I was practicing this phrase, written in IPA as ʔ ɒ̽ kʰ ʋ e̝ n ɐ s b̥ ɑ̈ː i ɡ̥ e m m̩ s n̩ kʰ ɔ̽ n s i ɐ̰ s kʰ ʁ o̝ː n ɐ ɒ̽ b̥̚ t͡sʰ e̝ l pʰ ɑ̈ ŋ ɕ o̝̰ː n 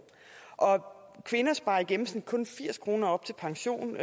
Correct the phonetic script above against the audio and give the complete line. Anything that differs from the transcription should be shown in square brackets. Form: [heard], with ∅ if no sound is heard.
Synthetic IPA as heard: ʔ ɒ̽ kʰ ʋ e̝ n ɐ s b̥ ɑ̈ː i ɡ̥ e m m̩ s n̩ kʰ ɔ̽ n [f] i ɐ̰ s kʰ ʁ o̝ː n ɐ ɒ̽ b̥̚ t͡sʰ e̝ l pʰ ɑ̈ ŋ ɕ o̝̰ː n